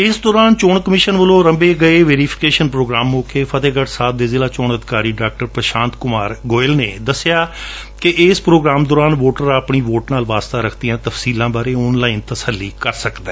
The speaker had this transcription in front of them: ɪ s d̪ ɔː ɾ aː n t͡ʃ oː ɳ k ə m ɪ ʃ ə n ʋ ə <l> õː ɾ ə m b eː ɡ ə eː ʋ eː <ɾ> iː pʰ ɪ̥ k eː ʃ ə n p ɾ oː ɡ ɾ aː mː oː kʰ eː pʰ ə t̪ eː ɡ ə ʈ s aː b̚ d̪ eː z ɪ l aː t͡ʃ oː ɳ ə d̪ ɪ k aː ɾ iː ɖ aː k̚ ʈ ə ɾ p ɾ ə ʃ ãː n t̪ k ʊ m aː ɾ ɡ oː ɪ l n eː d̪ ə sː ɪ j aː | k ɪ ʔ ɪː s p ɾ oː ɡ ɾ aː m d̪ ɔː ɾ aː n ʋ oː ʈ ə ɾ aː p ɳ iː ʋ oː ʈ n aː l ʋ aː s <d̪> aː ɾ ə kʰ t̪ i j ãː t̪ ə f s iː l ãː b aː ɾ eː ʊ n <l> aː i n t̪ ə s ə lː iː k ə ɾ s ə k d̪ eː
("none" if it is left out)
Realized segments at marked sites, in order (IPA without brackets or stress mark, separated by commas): l, ɾ, t̪, l